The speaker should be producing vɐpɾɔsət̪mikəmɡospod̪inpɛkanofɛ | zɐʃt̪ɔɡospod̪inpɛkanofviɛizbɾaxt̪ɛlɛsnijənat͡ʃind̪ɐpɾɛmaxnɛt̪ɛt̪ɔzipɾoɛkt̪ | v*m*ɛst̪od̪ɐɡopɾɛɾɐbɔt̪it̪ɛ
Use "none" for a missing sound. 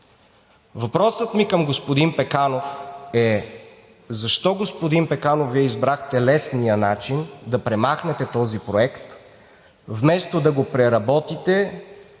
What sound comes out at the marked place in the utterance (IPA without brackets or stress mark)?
m